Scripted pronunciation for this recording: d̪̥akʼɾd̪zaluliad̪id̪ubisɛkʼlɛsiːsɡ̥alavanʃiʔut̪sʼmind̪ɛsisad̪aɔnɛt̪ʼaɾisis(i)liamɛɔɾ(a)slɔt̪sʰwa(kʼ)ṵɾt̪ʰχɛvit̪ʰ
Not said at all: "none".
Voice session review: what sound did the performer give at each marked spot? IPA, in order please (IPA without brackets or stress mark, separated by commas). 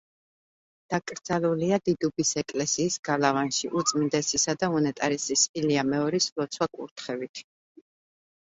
i, i, kʼ